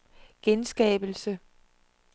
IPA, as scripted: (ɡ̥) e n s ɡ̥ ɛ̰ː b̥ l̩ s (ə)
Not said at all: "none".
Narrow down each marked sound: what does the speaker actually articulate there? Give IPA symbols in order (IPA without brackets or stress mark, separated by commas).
ɡ̥, ə